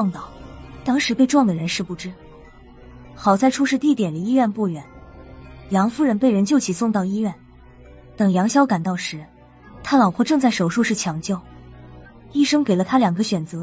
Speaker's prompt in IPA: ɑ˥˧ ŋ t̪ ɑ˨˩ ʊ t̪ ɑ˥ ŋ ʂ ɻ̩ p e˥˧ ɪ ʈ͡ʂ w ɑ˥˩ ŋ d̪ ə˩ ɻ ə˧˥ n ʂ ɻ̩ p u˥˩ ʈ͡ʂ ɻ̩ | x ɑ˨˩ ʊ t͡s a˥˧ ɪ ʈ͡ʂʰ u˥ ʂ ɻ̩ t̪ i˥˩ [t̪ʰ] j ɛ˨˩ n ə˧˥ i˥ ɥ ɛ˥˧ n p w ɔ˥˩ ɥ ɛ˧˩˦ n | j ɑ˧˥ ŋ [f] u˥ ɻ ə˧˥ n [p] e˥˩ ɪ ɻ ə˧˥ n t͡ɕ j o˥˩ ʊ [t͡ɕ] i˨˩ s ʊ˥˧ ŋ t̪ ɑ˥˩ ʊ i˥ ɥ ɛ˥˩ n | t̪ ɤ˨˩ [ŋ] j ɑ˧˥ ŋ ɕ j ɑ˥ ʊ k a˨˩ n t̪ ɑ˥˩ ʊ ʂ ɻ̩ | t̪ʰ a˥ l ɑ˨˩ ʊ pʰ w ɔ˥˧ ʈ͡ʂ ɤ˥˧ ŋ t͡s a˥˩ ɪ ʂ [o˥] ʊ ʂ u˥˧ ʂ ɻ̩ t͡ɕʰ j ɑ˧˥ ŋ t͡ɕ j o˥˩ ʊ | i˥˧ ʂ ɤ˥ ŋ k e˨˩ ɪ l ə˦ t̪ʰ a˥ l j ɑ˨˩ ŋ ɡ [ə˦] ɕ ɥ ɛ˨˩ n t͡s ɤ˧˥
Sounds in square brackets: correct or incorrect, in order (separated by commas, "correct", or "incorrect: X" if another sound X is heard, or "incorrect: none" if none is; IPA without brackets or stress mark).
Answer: incorrect: t̪, correct, correct, incorrect: t͡ɕʰ, correct, incorrect: o˨˩, correct